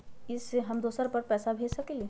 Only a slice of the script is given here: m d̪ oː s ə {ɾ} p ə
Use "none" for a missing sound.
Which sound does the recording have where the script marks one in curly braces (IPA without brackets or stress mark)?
ɾ